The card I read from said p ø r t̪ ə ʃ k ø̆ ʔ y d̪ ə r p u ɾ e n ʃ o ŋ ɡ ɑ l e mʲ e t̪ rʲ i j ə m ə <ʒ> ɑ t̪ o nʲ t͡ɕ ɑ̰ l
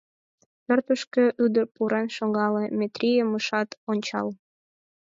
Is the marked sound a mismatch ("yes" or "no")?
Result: yes